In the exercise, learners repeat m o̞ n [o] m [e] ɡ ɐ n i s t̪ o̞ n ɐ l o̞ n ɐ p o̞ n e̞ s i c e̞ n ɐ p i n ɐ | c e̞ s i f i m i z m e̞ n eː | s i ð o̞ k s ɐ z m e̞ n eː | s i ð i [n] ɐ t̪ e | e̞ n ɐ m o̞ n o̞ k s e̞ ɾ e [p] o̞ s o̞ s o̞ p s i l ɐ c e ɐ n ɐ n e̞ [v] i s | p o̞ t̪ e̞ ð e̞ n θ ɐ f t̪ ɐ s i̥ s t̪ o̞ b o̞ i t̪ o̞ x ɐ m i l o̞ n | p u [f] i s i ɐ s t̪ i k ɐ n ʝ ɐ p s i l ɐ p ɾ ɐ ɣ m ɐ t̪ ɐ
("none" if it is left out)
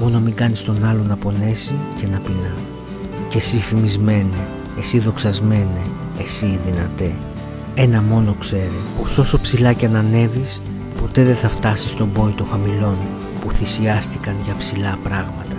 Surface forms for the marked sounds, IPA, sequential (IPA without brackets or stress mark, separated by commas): o, i, n, p, v, θ